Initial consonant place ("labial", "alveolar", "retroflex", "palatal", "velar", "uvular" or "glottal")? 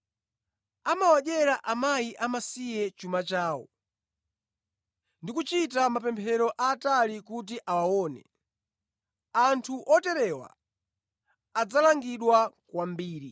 labial